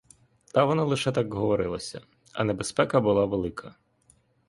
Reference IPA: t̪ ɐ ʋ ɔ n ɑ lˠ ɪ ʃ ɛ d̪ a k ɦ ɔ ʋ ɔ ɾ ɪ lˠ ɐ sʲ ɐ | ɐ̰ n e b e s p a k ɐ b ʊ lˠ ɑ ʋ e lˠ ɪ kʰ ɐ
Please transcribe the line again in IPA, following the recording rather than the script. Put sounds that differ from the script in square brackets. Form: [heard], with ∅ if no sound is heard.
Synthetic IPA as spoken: t̪ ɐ ʋ ɔ n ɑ lˠ ɪ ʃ ɛ [t̪] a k ɦ ɔ ʋ ɔ ɾ ɪ lˠ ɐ sʲ ɐ | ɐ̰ n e b e s p [ɛ] k ɐ b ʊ lˠ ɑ ʋ e lˠ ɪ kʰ ɐ